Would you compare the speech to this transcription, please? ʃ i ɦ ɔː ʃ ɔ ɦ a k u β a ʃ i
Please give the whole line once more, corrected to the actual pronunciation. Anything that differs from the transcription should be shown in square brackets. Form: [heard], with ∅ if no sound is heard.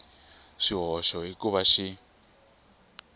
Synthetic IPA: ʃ i ɦ [ɔ] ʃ ɔ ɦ [i] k u β a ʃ i